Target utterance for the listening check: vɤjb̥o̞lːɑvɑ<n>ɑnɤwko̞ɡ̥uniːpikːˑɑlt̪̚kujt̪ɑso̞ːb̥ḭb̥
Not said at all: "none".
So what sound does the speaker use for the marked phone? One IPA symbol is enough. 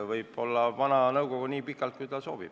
n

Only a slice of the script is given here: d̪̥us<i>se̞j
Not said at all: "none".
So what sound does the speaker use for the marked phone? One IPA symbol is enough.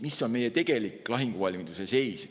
e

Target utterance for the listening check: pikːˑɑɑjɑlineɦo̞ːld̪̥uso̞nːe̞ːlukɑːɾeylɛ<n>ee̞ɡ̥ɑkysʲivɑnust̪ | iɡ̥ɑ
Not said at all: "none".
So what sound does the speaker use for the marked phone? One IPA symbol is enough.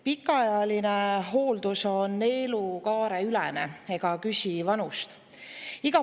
n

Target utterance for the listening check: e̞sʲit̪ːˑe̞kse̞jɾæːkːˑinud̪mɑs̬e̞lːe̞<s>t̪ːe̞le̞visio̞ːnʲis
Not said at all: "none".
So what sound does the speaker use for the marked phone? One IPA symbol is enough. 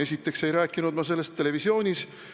s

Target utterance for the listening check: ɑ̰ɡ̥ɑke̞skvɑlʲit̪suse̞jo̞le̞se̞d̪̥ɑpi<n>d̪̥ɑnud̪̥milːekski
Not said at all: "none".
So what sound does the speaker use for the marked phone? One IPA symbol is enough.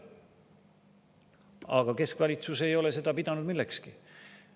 none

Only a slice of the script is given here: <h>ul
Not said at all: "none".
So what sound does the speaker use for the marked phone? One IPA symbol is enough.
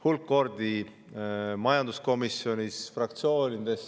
h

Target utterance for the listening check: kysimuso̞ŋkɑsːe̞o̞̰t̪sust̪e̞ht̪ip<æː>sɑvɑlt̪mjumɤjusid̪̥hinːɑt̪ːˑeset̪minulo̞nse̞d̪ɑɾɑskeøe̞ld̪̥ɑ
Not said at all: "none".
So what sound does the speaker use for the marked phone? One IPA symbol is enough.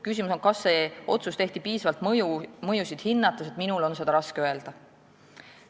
iː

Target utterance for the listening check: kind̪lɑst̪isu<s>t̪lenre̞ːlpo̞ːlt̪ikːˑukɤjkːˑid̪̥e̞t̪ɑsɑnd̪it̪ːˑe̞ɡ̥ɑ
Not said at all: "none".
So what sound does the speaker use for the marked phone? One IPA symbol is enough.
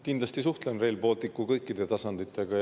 h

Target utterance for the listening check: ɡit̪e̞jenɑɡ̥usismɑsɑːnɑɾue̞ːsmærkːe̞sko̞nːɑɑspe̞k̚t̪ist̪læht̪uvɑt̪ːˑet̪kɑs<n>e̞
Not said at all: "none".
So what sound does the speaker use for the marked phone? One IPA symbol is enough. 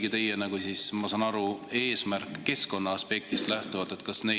n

